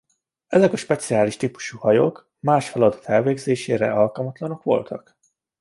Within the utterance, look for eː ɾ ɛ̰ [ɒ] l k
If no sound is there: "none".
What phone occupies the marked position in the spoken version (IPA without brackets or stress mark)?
ɒ